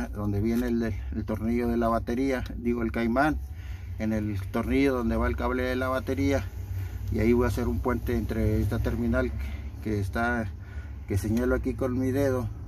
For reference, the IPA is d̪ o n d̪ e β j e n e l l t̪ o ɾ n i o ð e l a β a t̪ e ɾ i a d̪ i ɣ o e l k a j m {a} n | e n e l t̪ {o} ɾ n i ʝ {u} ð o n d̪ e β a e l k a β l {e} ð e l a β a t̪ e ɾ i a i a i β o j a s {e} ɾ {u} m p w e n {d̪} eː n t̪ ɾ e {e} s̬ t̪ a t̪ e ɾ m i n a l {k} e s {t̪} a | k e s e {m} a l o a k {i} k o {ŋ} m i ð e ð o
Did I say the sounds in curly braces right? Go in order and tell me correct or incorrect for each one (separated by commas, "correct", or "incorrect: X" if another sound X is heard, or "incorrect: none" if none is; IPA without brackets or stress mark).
correct, correct, incorrect: o, correct, correct, correct, incorrect: t̪, correct, correct, correct, incorrect: ɲ, correct, incorrect: n